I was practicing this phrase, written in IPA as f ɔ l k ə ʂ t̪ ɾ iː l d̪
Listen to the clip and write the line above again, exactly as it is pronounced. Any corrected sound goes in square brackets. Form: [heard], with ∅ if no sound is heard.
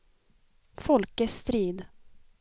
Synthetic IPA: f ɔ l k ə [s] t̪ ɾ iː [∅] d̪